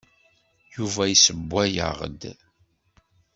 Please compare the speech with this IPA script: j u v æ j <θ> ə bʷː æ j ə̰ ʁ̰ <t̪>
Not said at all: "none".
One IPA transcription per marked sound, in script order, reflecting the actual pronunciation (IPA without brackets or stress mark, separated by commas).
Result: s, d̪